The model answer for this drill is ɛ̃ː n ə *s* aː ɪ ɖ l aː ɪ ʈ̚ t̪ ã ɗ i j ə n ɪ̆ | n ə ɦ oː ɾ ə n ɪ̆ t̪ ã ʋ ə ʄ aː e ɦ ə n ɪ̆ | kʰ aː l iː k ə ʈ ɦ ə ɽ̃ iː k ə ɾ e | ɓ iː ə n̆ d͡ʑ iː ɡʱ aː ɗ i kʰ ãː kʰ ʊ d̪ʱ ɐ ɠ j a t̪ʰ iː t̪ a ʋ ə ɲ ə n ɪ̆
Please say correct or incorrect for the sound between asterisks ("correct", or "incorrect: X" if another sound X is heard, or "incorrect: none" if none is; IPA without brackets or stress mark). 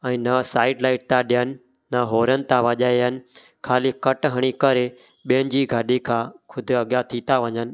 correct